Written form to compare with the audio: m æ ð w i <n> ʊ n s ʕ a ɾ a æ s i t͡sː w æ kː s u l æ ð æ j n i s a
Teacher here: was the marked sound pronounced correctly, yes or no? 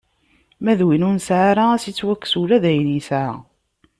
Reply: yes